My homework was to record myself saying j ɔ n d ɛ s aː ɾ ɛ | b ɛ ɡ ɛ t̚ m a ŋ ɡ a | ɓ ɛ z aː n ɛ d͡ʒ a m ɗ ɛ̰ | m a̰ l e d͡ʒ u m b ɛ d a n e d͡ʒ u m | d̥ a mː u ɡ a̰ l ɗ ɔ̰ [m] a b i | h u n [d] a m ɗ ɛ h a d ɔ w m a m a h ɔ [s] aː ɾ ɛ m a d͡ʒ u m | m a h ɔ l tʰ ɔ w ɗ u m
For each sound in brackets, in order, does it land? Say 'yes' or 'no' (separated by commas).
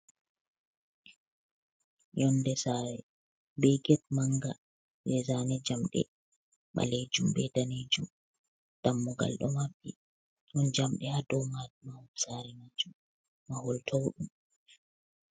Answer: yes, no, yes